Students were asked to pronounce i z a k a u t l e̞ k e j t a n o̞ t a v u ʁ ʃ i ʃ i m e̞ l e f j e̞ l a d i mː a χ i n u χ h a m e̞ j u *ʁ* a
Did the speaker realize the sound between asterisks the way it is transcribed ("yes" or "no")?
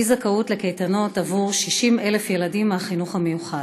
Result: no